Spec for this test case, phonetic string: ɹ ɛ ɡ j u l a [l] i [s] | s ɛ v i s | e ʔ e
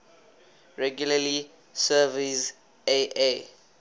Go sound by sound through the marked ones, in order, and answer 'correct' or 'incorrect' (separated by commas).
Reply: correct, incorrect